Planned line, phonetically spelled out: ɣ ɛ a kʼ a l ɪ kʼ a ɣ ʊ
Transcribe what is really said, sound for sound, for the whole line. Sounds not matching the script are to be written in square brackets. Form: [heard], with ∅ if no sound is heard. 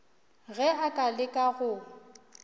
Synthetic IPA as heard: ɣ ɛ a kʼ a l ɪ kʼ a ɣ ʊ